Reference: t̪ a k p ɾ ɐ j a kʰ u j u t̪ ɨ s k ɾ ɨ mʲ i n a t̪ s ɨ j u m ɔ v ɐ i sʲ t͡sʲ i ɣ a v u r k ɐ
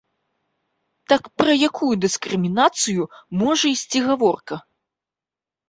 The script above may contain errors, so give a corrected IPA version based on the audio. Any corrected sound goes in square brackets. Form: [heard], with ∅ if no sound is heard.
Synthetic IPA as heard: t̪ a k p ɾ ɐ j a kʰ u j u [d̪] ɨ s k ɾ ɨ mʲ i n a t̪ s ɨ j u m ɔ [ʐ] ɐ i sʲ t͡sʲ i ɣ a v [ɔ] r k ɐ